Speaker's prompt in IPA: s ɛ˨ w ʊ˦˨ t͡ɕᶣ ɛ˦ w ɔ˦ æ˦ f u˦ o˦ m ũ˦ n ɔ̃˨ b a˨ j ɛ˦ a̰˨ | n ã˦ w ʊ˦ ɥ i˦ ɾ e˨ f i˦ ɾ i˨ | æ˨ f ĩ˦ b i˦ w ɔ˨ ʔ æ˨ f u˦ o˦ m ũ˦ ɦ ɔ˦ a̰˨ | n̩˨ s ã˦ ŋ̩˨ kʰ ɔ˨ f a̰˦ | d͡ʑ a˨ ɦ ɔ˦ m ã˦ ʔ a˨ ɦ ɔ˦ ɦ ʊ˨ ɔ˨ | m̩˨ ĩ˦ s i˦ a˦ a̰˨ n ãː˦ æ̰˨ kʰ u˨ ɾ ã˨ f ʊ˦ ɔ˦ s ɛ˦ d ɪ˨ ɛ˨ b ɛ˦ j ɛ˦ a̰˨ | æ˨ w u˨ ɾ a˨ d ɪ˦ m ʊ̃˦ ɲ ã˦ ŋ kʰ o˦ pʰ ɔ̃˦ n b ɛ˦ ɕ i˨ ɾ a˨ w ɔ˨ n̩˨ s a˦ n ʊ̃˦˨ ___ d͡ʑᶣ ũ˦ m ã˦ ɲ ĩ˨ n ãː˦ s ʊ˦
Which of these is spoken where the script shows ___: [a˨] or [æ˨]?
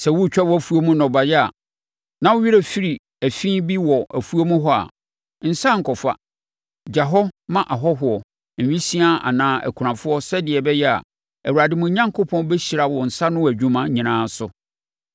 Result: æ˨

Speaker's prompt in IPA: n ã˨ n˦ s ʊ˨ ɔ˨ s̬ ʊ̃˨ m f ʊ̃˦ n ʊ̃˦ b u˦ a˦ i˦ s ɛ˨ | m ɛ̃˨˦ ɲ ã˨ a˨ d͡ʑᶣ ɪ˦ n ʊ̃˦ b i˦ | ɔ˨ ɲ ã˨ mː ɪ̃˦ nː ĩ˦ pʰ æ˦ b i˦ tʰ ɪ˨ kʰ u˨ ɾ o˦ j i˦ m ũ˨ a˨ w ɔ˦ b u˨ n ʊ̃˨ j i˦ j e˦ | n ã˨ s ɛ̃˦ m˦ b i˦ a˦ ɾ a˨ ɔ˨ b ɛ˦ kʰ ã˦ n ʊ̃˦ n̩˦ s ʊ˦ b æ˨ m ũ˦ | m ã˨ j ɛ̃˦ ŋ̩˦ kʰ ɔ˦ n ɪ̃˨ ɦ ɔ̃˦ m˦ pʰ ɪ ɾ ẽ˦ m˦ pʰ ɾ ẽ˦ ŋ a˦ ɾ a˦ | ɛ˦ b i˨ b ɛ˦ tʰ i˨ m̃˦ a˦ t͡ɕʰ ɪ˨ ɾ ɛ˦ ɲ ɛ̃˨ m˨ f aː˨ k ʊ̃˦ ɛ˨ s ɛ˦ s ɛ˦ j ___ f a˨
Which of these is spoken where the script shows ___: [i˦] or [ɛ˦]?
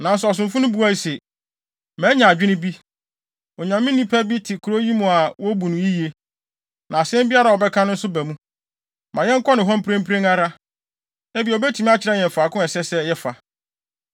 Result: ɛ˦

